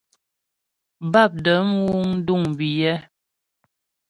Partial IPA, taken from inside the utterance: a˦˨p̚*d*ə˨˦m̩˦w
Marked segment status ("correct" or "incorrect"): correct